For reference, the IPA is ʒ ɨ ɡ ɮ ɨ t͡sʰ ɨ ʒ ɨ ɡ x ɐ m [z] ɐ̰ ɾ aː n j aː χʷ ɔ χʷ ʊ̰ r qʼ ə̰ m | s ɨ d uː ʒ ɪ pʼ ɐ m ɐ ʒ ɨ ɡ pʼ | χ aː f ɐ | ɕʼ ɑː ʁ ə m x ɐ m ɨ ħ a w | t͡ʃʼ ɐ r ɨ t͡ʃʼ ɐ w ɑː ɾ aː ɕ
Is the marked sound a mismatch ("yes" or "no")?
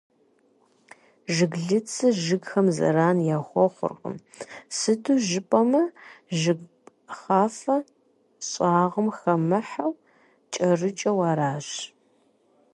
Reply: no